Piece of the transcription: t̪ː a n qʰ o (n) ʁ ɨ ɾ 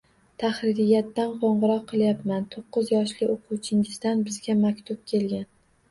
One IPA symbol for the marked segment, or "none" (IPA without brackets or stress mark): ɴ